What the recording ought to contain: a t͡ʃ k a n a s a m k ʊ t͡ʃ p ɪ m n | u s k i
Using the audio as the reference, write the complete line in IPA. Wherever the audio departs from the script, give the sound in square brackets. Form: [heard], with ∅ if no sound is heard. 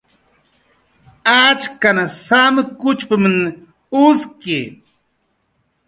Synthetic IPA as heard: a t͡ʃ k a n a s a m k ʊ t͡ʃ p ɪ m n | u s k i